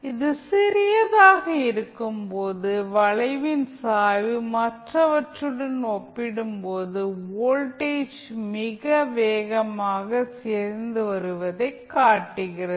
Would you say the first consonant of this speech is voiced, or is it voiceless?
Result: voiced